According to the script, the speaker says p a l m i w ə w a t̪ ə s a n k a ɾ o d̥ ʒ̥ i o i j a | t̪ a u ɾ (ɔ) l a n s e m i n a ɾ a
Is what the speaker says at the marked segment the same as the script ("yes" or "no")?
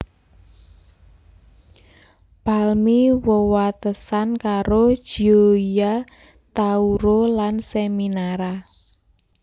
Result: no